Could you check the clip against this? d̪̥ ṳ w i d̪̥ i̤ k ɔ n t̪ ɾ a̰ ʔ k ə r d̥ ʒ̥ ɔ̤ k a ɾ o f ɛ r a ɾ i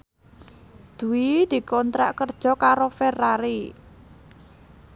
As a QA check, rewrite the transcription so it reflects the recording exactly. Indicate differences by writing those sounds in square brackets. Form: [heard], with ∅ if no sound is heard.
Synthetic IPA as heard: d̪̥ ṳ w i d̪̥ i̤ k ɔ n t̪ ɾ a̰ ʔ k ə r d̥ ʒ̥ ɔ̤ k a ɾ o f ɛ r a ɾ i